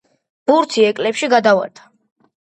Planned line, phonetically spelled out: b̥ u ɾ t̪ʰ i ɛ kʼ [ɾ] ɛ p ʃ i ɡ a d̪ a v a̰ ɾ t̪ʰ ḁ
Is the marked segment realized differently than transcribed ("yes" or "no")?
yes